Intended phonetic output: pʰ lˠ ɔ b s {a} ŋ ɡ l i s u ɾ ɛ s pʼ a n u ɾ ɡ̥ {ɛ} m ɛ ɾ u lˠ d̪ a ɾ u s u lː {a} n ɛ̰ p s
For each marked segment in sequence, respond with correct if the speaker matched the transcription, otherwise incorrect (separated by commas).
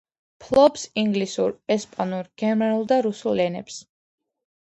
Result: incorrect, correct, incorrect